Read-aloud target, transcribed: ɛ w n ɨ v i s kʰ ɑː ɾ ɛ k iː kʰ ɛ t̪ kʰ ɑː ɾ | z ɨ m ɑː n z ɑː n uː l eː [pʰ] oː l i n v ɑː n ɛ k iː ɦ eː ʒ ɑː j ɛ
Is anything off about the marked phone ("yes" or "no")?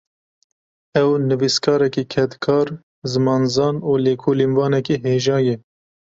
yes